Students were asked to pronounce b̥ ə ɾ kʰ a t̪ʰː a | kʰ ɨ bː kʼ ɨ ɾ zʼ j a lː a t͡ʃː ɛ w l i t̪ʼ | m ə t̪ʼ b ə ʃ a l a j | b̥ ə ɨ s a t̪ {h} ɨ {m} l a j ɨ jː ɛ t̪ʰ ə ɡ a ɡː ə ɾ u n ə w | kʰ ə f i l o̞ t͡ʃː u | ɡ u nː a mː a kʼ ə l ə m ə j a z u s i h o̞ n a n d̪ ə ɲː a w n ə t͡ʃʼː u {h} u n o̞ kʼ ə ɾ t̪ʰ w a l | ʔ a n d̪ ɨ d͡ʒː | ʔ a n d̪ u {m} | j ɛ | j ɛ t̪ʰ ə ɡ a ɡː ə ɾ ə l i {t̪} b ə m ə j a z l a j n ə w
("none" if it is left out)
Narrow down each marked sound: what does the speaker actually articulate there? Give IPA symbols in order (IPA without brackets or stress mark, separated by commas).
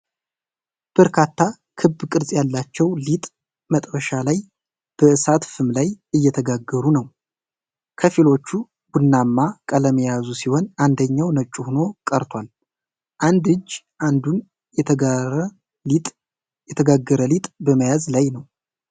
f, m, h, n, t̪ʼ